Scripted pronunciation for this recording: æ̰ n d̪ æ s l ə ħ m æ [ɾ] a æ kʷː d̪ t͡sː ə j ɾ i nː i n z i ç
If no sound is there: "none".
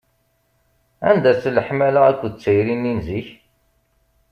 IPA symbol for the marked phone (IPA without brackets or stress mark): l